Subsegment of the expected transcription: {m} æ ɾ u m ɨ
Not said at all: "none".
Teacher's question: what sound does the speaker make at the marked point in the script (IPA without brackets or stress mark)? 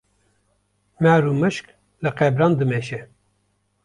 m